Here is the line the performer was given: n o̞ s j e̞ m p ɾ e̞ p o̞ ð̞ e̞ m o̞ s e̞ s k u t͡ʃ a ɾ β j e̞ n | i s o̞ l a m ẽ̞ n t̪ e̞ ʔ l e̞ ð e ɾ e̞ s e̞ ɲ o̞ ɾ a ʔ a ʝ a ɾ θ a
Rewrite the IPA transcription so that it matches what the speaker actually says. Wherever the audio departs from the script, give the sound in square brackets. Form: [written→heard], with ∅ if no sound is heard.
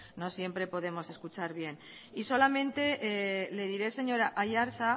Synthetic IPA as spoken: n o̞ s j e̞ m p ɾ e̞ p o̞ ð̞ e̞ m o̞ s e̞ s k u t͡ʃ a ɾ β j e̞ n | i s o̞ l a m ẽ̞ n t̪ e̞ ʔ l e̞ ð [e→i] ɾ e̞ s e̞ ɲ o̞ ɾ a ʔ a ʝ a ɾ θ a